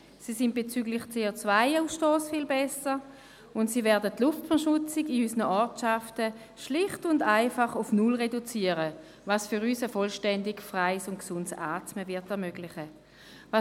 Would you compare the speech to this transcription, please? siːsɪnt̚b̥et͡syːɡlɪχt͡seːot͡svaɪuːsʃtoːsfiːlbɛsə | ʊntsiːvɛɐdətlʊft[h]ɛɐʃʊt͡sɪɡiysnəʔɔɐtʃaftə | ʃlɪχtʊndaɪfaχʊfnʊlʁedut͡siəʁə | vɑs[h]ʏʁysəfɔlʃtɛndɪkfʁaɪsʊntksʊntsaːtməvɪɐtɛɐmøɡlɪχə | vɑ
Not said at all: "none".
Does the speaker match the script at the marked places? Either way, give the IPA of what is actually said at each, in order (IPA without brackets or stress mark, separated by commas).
f, f